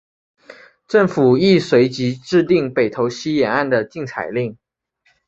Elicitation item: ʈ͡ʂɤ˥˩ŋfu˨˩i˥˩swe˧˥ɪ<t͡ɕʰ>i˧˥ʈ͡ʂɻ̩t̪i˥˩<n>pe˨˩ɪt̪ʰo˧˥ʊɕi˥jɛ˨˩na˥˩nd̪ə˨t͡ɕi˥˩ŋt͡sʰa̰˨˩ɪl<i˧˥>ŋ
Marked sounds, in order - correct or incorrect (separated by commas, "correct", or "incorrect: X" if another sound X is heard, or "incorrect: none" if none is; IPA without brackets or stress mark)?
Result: incorrect: t͡ɕ, incorrect: ŋ, incorrect: i˥˩